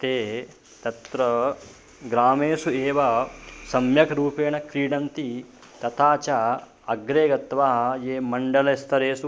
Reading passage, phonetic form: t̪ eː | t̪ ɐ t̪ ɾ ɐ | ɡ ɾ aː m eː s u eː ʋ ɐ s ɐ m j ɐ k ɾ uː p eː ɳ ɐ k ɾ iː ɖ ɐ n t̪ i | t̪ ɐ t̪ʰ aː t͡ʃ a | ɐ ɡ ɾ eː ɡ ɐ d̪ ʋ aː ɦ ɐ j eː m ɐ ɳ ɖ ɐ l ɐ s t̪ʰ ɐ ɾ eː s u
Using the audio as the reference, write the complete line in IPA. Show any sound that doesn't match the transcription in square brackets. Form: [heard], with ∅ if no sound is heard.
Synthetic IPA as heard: t̪ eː | t̪ ɐ t̪ ɾ ɐ | ɡ ɾ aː m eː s u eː ʋ ɐ s ɐ m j ɐ k ɾ uː p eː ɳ ɐ k ɾ iː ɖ ɐ n t̪ i | t̪ ɐ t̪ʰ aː t͡ʃ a | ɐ ɡ ɾ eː ɡ ɐ [t̪] ʋ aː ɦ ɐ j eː m ɐ ɳ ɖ ɐ l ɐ s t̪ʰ ɐ ɾ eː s u